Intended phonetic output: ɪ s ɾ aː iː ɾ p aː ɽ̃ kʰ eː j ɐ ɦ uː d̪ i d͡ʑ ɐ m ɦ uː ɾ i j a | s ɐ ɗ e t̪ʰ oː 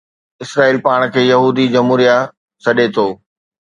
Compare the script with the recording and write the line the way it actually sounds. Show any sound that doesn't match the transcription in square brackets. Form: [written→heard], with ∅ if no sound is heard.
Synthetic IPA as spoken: ɪ s ɾ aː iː [ɾ→l] p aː ɽ̃ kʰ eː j ɐ ɦ uː d̪ i d͡ʑ ɐ m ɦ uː ɾ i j a | s ɐ ɗ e t̪ʰ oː